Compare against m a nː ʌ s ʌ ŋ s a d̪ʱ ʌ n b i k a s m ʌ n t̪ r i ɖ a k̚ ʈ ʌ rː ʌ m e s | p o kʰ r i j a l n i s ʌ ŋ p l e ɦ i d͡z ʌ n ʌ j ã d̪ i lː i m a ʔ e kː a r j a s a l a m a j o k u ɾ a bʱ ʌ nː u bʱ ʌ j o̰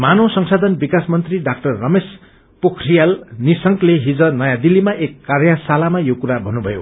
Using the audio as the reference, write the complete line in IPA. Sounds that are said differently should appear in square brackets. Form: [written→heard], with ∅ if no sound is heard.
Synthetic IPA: m a [nː→n] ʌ s ʌ ŋ s a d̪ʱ ʌ n b i k a s m ʌ n t̪ r i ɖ a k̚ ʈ ʌ rː ʌ m e s | p o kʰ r i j a l n i s ʌ ŋ [p→k] l e ɦ i d͡z ʌ n ʌ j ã d̪ i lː i m a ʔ e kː a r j a s a l a m a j o k u ɾ a bʱ ʌ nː u bʱ ʌ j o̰